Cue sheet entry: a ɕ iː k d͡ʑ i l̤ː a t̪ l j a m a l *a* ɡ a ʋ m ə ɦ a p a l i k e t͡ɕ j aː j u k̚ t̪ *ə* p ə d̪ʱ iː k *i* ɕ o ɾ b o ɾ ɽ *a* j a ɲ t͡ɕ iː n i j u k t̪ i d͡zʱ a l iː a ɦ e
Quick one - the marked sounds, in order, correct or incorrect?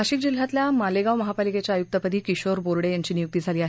incorrect: e, correct, correct, incorrect: e

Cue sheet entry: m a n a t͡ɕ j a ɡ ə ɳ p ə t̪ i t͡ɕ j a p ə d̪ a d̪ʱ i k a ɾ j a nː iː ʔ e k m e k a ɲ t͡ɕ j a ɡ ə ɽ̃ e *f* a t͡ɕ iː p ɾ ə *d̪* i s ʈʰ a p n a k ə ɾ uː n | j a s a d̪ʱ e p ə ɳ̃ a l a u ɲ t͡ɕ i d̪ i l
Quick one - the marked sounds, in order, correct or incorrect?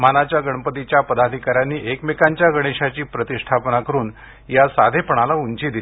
incorrect: ɕ, incorrect: t̪

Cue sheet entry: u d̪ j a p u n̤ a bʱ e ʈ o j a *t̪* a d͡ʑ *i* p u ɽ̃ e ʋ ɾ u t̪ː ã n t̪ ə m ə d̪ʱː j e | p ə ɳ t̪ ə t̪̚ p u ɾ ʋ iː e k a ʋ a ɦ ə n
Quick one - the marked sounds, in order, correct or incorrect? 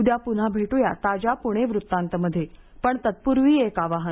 correct, incorrect: a

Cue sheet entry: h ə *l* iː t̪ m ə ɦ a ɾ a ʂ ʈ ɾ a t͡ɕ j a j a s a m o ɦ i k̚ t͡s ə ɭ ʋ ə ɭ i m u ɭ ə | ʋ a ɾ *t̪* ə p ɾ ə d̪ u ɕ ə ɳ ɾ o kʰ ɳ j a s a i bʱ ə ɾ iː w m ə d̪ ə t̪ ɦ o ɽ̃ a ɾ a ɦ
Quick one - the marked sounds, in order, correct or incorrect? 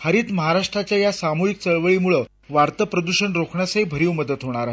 incorrect: ɾ, correct

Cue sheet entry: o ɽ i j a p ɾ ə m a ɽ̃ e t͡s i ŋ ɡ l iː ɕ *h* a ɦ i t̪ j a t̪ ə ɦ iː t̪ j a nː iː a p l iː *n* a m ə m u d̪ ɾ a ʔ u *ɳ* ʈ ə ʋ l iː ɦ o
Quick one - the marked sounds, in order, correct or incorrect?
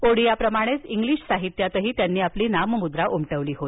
incorrect: s, correct, incorrect: m

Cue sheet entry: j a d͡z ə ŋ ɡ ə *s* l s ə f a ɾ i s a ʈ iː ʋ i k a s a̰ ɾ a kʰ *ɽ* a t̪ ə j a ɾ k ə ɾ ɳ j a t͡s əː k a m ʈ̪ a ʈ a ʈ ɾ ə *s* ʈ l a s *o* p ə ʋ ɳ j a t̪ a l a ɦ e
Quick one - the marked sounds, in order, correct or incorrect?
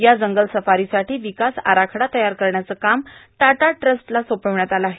incorrect: none, correct, correct, correct

